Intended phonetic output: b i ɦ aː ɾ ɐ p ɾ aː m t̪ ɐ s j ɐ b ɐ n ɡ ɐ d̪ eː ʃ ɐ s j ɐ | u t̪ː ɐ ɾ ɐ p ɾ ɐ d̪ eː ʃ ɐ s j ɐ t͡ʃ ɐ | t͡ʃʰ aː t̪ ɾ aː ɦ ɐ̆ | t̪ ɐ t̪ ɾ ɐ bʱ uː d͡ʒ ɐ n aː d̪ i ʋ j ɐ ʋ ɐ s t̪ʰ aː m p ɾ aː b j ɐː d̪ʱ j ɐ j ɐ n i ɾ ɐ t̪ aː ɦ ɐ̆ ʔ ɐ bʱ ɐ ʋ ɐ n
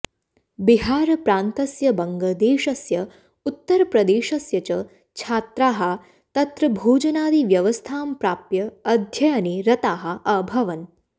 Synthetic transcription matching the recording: b i ɦ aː ɾ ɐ p ɾ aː n t̪ ɐ s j ɐ b ɐ ŋ ɡ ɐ d̪ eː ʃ ɐ s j ɐ | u t̪ː ɐ ɾ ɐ p ɾ ɐ d̪ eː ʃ ɐ s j ɐ t͡ʃ ɐ | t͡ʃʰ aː t̪ ɾ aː ɦ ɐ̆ | t̪ ɐ t̪ ɾ ɐ bʱ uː d͡ʒ ɐ n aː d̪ i ʋ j ɐ ʋ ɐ s t̪ʰ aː m p ɾ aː p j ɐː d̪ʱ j ɐ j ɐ n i ɾ ɐ t̪ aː ɦ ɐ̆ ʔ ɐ bʱ ɐ ʋ ɐ n

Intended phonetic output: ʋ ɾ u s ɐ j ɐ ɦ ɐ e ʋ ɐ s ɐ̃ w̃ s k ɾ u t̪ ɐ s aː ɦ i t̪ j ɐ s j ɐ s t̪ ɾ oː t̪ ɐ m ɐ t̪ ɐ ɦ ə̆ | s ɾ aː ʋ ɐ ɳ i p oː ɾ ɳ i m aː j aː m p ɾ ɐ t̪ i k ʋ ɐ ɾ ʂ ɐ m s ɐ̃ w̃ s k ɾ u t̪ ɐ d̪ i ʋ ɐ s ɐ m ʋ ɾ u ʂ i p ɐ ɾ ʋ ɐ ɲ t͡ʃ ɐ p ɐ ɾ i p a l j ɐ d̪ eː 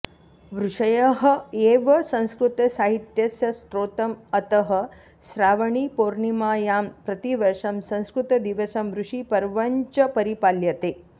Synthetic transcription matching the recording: ʋ ɾ u ʂ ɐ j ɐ ɦ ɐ e ʋ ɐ s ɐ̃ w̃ s k ɾ u t̪ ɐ s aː ɦ i t̪ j ɐ s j ɐ s t̪ ɾ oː t̪ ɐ m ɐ t̪ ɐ ɦ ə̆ | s ɾ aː ʋ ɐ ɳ i p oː ɾ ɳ i m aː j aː m p ɾ ɐ t̪ i ʋ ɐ ɾ ʂ ɐ m s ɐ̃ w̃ s k ɾ u t̪ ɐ d̪ i ʋ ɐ s ɐ m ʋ ɾ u ʂ i p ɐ ɾ ʋ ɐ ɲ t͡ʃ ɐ p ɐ ɾ i p a l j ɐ t̪ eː

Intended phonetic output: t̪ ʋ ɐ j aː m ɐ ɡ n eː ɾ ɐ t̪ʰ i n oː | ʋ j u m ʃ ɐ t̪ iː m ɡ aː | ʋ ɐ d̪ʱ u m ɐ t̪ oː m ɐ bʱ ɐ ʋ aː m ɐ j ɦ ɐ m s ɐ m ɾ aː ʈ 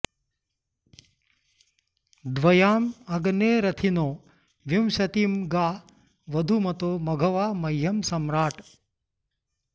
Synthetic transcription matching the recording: d̪ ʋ ɐ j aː m ɐ ɡ n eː ɾ ɐ t̪ʰ i n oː | ʋ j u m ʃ ɐ t̪ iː m ɡ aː | ʋ ɐ d̪ʱ u m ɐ t̪ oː m ɐ ɡʱ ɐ ʋ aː m ɐ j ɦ ɐ m s ɐ m ɾ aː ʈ

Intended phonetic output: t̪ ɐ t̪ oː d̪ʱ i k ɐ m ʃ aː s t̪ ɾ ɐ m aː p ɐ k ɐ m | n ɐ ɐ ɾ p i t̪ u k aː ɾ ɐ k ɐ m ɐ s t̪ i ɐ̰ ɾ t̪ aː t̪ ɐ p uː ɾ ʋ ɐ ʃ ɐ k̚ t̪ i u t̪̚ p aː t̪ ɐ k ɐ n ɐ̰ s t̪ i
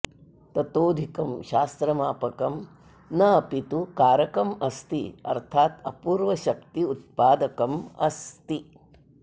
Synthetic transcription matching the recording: t̪ ɐ t̪ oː d̪ʱ i k ɐ m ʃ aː s t̪ ɾ ɐ m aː p ɐ k ɐ m | n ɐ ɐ p i t̪ u k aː ɾ ɐ k ɐ m ɐ s t̪ i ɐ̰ ɾ t̪ʰ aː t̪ ɐ p uː ɾ ʋ ɐ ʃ ɐ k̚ t̪ i u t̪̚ p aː d̪ ɐ k ɐ m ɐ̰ s t̪ i

